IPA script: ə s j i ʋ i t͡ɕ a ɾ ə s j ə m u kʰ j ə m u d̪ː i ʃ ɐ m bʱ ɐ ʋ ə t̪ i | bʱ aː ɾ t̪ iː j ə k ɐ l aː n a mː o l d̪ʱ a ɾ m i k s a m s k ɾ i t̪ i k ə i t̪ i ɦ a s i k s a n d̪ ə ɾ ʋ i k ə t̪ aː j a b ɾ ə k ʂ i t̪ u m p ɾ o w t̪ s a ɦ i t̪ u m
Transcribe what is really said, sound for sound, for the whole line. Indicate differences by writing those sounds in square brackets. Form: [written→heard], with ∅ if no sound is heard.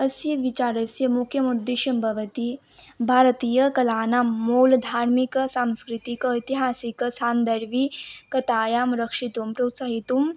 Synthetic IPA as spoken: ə s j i ʋ i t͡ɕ a ɾ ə s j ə m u kʰ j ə m u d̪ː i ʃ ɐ m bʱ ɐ ʋ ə t̪ i | bʱ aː ɾ t̪ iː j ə k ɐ l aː n a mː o l d̪ʱ a ɾ m i k s a m s k ɾ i t̪ i k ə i t̪ i ɦ a s i k s a n d̪ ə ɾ ʋ i k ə t̪ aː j a [b→m] ɾ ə k ʂ i t̪ u m p ɾ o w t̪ s a ɦ i t̪ u m